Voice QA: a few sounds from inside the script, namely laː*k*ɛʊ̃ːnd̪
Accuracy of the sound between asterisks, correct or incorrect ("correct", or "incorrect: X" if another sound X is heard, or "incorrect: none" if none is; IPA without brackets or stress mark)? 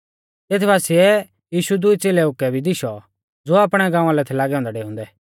incorrect: ɡ